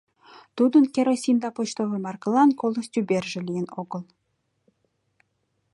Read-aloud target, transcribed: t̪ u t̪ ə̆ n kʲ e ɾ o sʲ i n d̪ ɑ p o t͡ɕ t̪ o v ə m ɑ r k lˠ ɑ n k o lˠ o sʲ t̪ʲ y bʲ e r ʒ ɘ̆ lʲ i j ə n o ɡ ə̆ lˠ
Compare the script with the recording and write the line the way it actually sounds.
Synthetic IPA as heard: t̪ u d̪ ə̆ n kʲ e ɾ o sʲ i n d̪ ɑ p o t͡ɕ t̪ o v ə m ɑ r k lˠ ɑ n k o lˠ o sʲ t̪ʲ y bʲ e r ʒ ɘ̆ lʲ i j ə n o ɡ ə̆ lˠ